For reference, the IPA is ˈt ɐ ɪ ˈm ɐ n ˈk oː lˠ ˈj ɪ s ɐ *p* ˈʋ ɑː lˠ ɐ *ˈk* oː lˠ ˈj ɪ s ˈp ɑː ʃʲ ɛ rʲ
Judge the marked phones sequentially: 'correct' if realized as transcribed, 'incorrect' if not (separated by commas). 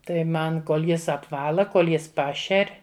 correct, correct